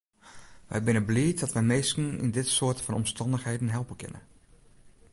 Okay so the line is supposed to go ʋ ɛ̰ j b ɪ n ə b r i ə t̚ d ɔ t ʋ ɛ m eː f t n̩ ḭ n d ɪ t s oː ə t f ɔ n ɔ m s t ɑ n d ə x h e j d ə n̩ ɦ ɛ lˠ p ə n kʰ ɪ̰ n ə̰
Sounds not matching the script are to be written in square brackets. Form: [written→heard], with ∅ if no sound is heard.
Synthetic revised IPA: ʋ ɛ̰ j b ɪ n ə b [r→l] i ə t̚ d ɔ t ʋ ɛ m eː [f→s] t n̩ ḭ n d ɪ t s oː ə t f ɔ n ɔ m s t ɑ n d ə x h e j d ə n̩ ɦ ɛ lˠ p ə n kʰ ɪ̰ n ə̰